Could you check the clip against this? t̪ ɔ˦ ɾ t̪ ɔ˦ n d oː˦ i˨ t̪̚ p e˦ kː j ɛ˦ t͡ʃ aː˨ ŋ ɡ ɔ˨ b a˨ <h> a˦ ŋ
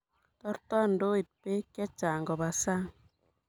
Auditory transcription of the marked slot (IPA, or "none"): s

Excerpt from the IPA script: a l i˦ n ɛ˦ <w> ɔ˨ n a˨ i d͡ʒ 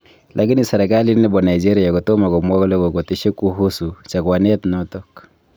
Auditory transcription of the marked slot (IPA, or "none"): b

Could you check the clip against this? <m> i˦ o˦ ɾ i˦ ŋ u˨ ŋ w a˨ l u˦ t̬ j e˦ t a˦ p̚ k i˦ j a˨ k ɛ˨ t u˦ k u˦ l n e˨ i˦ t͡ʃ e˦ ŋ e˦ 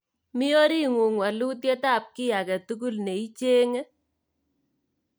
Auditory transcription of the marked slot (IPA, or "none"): m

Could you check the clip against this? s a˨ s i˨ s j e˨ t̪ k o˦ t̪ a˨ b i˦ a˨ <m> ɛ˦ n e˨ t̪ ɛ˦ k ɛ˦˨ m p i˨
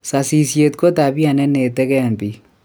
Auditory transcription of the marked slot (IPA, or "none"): n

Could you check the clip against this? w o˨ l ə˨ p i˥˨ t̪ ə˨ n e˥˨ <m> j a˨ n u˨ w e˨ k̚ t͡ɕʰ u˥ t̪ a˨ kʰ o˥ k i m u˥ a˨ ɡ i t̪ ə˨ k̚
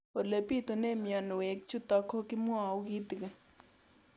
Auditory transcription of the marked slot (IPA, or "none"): m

